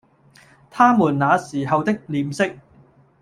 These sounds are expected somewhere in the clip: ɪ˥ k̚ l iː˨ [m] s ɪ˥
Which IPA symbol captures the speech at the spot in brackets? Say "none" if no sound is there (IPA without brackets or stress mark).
m